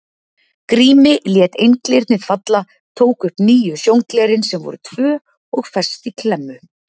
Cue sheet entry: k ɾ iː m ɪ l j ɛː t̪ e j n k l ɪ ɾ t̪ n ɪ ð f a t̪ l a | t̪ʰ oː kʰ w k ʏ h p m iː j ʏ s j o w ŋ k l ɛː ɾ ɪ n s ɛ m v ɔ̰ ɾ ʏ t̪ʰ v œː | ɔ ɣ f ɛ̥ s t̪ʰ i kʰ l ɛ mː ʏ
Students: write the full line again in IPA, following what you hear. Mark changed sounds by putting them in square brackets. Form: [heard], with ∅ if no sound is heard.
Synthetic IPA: k ɾ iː m ɪ l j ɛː t̪ e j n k l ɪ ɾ t̪ n ɪ ð f a t̪ l a | t̪ʰ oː [∅] w k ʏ h p [n] iː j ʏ s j o w ŋ k l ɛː ɾ ɪ n s ɛ m v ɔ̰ ɾ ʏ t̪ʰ v œː | ɔ ɣ f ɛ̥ s [t̪] i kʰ l ɛ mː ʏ